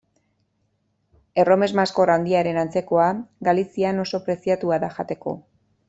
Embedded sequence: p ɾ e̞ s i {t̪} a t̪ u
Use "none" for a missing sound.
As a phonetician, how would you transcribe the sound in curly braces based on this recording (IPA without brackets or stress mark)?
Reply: none